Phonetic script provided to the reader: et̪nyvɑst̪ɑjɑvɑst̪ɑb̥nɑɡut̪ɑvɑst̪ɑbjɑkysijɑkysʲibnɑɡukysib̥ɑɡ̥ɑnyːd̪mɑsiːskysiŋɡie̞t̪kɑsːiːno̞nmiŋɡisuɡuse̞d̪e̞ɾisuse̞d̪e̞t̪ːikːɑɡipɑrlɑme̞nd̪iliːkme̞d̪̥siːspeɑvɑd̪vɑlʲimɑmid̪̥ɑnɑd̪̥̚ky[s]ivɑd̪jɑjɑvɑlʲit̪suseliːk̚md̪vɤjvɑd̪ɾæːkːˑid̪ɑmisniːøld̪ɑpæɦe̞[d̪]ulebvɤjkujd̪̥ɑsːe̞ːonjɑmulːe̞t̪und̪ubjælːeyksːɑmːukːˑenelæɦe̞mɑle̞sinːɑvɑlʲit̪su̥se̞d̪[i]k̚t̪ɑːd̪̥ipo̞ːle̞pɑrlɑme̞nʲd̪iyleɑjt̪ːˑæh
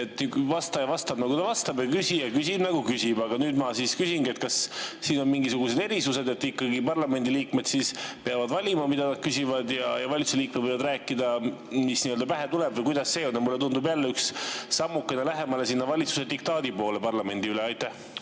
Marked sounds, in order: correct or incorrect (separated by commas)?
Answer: correct, incorrect, correct